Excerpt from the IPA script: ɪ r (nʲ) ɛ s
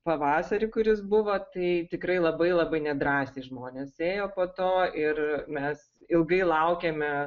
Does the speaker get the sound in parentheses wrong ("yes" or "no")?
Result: yes